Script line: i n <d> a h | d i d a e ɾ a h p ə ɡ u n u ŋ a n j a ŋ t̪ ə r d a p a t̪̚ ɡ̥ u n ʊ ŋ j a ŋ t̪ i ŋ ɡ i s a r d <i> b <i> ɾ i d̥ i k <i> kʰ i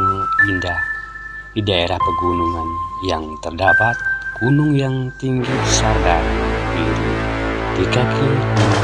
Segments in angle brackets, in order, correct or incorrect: correct, incorrect: a, correct, incorrect: a

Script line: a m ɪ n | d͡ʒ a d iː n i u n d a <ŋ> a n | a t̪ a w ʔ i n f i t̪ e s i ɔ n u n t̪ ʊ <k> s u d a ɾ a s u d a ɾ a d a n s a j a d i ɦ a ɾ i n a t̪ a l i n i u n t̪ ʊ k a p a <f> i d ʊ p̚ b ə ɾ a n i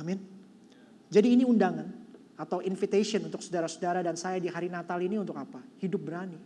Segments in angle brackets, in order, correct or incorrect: correct, correct, incorrect: h

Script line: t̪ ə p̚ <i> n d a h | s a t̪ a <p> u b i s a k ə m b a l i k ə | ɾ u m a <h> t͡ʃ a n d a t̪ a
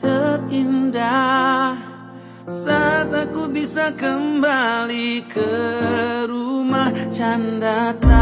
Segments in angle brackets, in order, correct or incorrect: correct, incorrect: k, correct

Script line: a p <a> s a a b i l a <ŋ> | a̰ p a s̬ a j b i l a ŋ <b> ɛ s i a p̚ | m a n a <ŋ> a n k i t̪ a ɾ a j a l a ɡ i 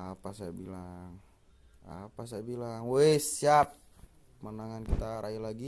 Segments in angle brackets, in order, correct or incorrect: correct, correct, incorrect: w, correct

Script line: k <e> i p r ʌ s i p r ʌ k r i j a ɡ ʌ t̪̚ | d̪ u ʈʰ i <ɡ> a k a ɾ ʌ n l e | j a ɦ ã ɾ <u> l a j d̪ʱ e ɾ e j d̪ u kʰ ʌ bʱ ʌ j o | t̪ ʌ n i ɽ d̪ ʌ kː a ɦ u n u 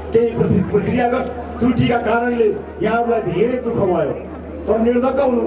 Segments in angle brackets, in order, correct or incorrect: correct, incorrect: k, correct

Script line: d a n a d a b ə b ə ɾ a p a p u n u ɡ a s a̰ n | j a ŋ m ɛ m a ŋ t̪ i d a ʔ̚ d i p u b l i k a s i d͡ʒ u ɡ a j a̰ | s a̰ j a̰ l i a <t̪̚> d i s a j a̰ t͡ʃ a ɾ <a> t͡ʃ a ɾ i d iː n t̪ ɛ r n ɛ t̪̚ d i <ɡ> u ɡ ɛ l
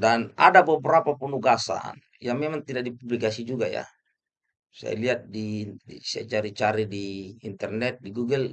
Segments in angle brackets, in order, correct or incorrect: correct, incorrect: i, correct

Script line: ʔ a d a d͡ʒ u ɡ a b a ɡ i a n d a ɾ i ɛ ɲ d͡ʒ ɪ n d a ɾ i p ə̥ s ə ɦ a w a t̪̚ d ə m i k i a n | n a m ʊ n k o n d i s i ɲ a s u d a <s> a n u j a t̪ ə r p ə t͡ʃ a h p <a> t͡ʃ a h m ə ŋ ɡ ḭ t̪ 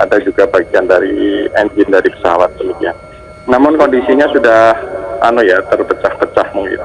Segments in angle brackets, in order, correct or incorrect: incorrect: h, incorrect: ə

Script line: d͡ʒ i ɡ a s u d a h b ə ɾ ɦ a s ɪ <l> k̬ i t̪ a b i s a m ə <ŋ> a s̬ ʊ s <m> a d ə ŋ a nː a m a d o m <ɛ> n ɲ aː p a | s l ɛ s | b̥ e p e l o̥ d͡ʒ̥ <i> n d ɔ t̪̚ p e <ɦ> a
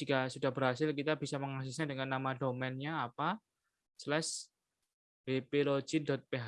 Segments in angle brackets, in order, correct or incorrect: correct, correct, incorrect: ɲ, correct, correct, correct

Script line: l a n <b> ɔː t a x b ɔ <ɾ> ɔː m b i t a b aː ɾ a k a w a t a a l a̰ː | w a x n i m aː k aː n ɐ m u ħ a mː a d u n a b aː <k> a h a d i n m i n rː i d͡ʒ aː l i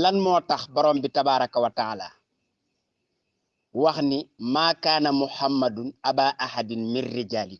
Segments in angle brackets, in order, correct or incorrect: incorrect: m, correct, incorrect: ʔ

